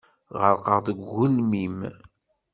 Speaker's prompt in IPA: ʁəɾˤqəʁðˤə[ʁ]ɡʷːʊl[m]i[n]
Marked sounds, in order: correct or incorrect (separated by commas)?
incorrect, correct, incorrect